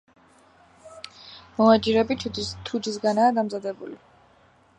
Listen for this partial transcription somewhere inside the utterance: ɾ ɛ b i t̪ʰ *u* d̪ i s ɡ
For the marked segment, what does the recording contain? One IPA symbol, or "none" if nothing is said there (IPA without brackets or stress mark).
u